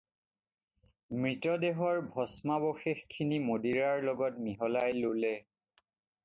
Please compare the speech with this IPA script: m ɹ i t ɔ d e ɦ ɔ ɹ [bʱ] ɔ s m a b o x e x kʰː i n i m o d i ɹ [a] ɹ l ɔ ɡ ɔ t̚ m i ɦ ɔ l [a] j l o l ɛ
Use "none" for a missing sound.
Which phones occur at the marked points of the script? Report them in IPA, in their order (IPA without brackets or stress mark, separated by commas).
bʱ, a, a